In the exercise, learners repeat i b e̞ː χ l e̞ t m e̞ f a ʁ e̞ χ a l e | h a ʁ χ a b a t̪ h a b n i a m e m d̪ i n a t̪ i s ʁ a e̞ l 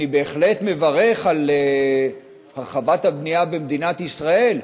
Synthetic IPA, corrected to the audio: i b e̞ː χ l e̞ t m e̞ v a ʁ e̞ χ a l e | h a ʁ χ a v a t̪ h a b n i a b e m d̪ i n a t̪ i s ʁ a e̞ l